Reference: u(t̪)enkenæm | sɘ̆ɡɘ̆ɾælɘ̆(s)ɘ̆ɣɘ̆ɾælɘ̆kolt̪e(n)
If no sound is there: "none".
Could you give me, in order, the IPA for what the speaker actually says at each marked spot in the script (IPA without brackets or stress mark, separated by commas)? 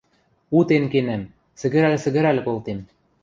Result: t̪, s, m